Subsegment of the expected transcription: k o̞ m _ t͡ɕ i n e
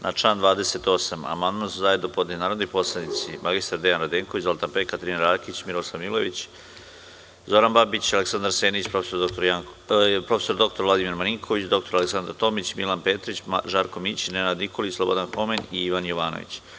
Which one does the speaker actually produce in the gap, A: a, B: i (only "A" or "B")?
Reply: B